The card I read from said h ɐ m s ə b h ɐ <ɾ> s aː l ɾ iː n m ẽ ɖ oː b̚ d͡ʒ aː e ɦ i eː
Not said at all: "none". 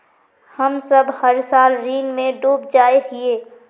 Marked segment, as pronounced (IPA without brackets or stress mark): ɾ